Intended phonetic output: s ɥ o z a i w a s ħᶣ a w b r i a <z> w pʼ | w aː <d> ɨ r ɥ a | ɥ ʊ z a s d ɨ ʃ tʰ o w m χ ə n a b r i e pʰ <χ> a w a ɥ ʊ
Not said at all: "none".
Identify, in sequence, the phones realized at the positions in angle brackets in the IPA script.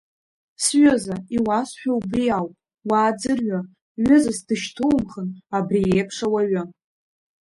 none, d͡z, ʂ

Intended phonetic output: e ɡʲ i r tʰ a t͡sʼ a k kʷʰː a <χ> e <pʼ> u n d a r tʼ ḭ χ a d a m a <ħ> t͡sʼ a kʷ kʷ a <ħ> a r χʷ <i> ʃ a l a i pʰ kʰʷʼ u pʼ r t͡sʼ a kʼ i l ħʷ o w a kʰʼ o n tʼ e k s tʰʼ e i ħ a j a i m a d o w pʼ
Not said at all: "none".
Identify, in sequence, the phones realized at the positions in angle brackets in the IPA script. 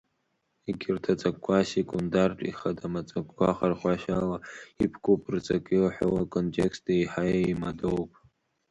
s, kʼ, none, χ, a

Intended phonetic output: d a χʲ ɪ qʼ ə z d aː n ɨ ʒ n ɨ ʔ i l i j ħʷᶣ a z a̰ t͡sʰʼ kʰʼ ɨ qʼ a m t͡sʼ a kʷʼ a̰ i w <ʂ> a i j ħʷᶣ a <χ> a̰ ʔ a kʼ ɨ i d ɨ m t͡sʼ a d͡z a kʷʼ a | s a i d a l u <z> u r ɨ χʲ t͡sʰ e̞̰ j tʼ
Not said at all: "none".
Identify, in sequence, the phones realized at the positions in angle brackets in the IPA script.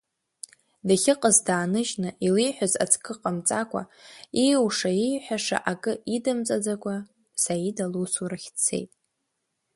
ʂ, ʂ, s

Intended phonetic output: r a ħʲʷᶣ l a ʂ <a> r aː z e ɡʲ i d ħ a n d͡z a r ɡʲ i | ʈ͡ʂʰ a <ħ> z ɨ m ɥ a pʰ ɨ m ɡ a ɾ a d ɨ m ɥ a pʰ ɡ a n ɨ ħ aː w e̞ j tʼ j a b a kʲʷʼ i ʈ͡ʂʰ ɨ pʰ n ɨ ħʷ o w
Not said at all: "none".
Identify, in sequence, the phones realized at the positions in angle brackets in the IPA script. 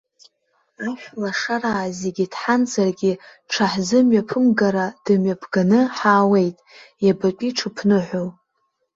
a, ħ

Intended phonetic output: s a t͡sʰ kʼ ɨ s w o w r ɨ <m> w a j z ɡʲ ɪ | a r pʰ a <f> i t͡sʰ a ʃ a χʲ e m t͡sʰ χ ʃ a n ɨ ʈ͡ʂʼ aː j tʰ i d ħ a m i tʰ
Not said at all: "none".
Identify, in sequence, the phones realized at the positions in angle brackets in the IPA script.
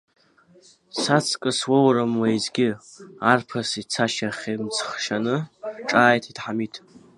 m, s

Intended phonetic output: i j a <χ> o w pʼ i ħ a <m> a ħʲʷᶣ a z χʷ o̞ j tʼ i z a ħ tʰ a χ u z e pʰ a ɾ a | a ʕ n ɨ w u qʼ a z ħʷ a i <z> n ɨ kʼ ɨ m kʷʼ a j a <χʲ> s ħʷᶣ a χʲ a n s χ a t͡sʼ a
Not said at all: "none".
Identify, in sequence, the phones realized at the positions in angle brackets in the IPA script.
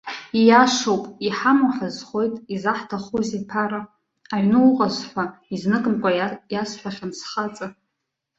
ʂ, m, z, none

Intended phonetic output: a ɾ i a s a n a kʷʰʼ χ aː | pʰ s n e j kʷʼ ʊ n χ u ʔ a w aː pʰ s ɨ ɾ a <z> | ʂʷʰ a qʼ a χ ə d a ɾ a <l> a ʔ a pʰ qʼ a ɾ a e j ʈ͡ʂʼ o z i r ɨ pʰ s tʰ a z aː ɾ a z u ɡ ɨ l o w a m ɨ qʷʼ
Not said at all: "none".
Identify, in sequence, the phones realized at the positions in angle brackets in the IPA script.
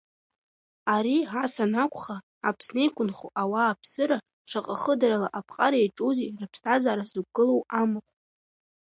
none, l

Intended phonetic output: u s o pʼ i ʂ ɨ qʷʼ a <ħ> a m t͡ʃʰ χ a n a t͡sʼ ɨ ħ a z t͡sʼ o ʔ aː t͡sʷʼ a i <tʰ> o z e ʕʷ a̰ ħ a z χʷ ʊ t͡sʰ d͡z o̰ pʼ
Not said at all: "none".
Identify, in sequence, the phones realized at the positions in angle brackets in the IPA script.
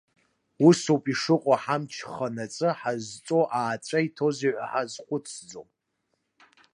ħ, tʰ

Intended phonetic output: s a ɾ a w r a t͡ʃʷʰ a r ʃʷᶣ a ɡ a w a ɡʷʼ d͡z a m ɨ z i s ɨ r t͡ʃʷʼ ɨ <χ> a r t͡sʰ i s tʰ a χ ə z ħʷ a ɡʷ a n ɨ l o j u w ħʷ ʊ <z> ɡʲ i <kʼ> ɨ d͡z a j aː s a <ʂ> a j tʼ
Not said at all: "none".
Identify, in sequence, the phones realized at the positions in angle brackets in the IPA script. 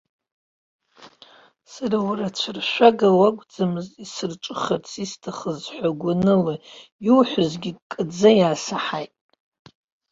χ, z, kʼ, ħ

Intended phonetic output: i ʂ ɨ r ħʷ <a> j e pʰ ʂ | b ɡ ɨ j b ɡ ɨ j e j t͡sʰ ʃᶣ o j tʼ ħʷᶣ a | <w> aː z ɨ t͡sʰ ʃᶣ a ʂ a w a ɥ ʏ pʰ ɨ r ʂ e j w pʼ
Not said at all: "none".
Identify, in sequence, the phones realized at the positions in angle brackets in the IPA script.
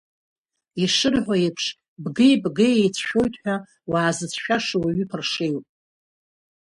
a, w

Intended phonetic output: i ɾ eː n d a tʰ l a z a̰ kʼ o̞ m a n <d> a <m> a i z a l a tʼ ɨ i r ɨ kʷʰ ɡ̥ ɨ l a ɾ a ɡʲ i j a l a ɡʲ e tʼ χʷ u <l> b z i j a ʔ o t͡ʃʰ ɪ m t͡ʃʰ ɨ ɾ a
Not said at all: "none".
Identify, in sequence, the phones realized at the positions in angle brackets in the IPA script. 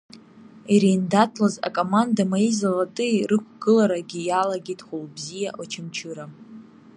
d, m, l

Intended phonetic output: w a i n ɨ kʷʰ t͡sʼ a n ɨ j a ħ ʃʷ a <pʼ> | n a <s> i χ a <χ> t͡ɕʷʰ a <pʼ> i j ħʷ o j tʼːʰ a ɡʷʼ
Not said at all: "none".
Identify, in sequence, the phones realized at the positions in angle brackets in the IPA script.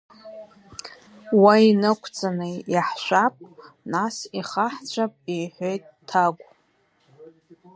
pʼ, s, ħ, pʼ

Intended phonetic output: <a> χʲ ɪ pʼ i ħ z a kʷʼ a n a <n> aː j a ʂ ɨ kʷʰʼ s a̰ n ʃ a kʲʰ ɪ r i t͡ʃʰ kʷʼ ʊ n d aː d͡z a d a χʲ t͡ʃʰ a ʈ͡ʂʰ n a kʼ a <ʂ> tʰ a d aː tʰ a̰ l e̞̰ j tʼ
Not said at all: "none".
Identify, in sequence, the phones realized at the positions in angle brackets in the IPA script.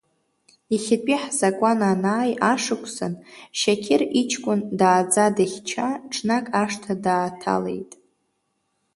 i, n, ʂ

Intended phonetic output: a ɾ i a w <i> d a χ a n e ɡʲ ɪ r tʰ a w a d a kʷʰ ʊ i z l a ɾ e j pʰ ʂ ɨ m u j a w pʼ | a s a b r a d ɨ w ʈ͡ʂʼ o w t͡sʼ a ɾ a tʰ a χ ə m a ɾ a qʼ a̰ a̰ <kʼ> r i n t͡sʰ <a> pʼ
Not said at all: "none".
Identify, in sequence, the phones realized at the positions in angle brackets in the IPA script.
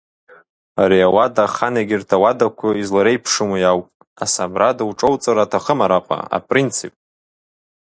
a, pʼ, i

